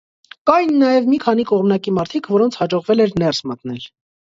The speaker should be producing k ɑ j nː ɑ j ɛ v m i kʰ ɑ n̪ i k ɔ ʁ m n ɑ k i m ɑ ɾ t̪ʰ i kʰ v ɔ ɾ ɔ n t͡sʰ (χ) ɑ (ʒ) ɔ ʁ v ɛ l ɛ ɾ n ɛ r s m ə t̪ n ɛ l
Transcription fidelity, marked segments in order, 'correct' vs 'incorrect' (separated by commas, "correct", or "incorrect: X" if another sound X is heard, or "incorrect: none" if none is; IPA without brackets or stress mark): incorrect: h, incorrect: d͡ʒ